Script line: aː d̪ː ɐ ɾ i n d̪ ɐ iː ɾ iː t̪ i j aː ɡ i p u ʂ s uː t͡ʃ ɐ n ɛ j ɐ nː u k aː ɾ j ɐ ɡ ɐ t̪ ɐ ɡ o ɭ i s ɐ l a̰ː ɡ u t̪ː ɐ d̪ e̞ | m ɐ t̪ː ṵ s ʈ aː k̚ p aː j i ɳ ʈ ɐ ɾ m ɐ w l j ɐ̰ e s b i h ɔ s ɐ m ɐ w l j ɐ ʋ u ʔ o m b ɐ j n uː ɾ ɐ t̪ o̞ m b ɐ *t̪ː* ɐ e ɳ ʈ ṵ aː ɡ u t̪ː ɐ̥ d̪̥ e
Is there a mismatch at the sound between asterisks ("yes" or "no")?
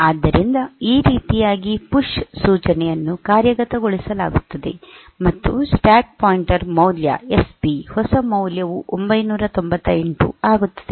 no